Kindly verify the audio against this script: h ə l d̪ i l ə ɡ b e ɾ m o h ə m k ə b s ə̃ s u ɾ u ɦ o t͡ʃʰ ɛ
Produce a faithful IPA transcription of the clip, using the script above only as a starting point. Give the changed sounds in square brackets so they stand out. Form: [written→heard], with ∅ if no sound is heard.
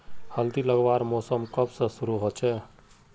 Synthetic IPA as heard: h ə l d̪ i l ə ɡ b [e→a] ɾ m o [h→s] ə m k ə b s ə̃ s u ɾ u ɦ o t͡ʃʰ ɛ